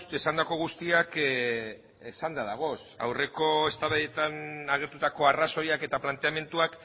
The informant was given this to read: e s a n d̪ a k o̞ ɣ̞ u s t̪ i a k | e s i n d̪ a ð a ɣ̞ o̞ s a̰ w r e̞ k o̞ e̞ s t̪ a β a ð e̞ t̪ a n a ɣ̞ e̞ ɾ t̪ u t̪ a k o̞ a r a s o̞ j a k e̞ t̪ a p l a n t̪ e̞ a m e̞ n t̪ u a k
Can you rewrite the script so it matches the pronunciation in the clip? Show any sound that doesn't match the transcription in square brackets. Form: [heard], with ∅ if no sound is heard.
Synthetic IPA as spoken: e s a n d̪ a k o̞ ɣ̞ u s t̪ i a k | e s [a] n d̪ a ð a ɣ̞ o̞ s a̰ w r e̞ k o̞ e̞ s t̪ a β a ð e̞ t̪ a n a ɣ̞ e̞ ɾ t̪ u t̪ a k o̞ a r a s o̞ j a k e̞ t̪ a p l a n t̪ e̞ a m e̞ n t̪ u a k

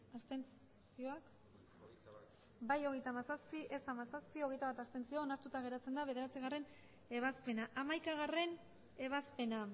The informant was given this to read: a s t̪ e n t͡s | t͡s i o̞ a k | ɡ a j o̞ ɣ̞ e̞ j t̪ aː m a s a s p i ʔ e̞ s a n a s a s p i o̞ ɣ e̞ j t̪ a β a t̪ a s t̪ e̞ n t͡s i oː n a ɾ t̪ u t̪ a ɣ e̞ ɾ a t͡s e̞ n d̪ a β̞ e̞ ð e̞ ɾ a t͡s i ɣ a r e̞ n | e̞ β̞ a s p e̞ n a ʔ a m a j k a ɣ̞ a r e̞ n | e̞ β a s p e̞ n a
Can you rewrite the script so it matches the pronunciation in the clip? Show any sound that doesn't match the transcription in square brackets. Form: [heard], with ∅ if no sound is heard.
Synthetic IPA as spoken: a s t̪ e n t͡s | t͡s i o̞ a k | [b] a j o̞ ɣ̞ e̞ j t̪ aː m a s a s p i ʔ e̞ s a [m] a s a s p i o̞ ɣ e̞ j t̪ a β a t̪ a s t̪ e̞ n t͡s i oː n a ɾ t̪ u t̪ a ɣ e̞ ɾ a t͡s e̞ n d̪ a β̞ e̞ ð e̞ ɾ a t͡s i ɣ a r e̞ n | e̞ β̞ a s p e̞ n a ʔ a m a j k a ɣ̞ a r e̞ n | e̞ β a s p e̞ n a

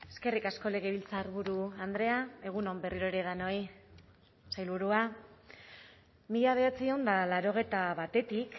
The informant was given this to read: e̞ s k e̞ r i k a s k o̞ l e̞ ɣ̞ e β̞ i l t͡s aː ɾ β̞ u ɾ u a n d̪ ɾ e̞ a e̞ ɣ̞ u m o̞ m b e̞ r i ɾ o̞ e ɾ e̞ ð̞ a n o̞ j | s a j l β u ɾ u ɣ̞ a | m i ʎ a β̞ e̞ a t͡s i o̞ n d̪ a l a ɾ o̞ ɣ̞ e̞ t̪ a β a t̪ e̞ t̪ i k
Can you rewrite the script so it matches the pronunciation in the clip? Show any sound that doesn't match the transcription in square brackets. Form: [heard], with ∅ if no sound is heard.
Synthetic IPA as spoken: e̞ s k e̞ r i k a s k o̞ l e̞ ɣ̞ e β̞ i l t͡s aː ɾ β̞ u ɾ u a n d̪ ɾ e̞ a e̞ ɣ̞ u [n] o̞ m b e̞ r i ɾ o̞ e ɾ e̞ ð̞ a n o̞ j | s a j l β u ɾ u [∅] a | m i ʎ a β̞ e̞ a t͡s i o̞ n d̪ a l a ɾ o̞ ɣ̞ e̞ t̪ a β a t̪ e̞ t̪ i k

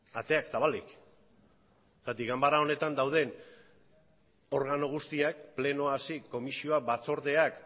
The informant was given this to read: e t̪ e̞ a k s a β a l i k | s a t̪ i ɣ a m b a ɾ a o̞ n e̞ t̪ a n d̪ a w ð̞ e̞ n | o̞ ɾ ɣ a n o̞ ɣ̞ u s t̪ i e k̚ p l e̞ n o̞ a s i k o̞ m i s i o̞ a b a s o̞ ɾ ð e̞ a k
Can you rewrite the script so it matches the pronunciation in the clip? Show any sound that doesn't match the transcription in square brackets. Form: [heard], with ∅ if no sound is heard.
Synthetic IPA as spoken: [a] t̪ e̞ a k s a β a l i k | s a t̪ i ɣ a m b a ɾ a o̞ n e̞ t̪ a n d̪ a w ð̞ e̞ n | o̞ ɾ ɣ a n o̞ ɣ̞ u s t̪ i [a] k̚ p l e̞ n o̞ a s i k o̞ m i s i o̞ a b a [t͡s] o̞ ɾ ð e̞ a k

